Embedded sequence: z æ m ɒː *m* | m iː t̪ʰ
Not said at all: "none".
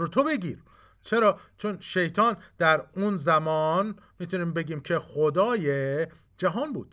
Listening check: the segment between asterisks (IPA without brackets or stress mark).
n